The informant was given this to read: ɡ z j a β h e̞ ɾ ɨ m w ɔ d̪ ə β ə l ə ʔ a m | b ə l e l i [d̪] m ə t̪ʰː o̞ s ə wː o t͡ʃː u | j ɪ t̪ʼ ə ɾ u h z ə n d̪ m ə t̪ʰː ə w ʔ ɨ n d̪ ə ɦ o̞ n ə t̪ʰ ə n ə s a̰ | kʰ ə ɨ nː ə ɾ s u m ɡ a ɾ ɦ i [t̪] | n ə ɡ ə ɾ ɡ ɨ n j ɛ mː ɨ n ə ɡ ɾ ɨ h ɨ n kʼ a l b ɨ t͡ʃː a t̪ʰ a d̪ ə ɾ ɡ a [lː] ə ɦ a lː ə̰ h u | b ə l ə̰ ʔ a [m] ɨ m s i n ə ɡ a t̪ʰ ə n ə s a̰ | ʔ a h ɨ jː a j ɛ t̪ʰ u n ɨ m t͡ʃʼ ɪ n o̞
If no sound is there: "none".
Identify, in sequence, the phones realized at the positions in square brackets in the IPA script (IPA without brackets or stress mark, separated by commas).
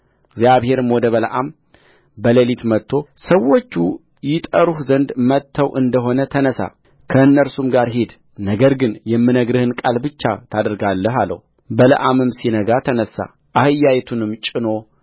t̪, d̪, lː, m